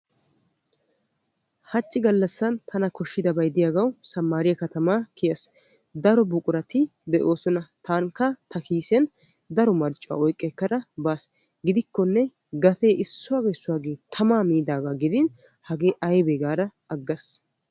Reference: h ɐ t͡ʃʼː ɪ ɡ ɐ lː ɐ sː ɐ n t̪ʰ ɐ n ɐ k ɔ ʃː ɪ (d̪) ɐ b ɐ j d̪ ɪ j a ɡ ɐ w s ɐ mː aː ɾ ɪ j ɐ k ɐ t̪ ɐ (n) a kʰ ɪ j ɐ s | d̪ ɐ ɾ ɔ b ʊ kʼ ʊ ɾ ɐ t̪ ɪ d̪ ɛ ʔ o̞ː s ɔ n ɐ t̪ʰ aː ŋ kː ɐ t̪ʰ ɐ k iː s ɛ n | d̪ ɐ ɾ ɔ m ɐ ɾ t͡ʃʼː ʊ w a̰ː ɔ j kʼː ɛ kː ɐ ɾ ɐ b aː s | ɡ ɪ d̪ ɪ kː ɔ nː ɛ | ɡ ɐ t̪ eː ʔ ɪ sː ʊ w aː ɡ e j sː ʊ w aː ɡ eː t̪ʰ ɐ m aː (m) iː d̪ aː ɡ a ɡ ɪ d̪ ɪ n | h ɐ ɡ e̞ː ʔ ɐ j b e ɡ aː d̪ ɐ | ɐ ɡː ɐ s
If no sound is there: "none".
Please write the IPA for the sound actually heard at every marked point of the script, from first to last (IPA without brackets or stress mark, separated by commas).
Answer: d̪, m, m